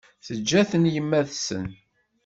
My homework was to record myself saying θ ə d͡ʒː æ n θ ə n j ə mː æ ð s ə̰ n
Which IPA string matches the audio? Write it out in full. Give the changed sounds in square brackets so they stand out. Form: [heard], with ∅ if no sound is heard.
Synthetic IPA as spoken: θ ə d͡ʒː æ [∅] θ ə n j ə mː æ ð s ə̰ n